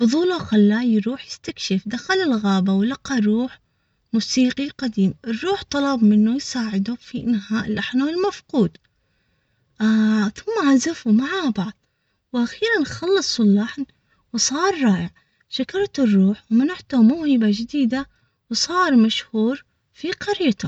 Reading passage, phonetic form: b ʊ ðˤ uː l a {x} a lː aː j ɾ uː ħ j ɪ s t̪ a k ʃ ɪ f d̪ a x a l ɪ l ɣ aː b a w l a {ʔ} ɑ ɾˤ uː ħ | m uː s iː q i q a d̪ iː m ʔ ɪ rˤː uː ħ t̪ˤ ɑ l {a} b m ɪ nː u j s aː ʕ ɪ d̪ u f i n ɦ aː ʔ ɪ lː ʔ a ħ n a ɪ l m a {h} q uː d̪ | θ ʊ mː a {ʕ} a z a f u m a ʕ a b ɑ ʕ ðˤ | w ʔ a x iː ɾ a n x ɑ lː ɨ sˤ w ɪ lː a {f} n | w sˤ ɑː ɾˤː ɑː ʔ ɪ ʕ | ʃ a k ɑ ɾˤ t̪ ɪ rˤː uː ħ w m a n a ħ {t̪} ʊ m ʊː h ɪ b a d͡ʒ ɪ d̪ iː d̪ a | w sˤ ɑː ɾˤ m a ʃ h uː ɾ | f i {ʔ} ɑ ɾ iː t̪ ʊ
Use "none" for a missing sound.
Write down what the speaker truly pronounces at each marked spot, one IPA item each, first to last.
x, q, ɑ, f, ʕ, ħ, t̪, q

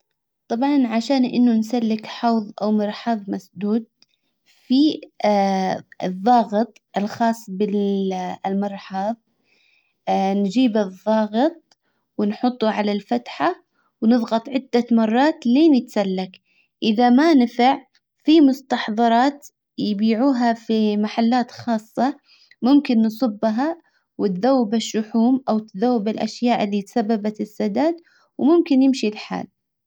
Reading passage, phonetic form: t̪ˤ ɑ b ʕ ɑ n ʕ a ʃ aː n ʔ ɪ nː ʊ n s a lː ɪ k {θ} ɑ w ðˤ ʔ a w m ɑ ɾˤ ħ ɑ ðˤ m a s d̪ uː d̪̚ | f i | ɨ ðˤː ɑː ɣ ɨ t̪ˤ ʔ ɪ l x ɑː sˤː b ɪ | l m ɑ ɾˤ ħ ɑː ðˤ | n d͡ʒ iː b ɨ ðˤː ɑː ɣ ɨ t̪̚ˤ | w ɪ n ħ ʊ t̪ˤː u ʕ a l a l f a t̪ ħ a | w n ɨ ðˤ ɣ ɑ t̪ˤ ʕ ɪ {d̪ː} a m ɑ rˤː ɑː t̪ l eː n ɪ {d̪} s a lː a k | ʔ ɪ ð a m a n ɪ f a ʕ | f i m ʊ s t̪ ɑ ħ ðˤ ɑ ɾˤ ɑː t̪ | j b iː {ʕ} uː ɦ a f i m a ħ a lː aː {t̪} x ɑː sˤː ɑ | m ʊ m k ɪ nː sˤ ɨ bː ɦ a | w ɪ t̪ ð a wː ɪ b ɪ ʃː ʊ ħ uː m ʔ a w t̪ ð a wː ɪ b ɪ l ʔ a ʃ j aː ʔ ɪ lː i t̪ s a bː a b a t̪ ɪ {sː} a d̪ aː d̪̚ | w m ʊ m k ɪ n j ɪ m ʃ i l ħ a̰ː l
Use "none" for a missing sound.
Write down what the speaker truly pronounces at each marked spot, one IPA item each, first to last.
ħ, d̪ː, t̪, ʕ, t̪, sː

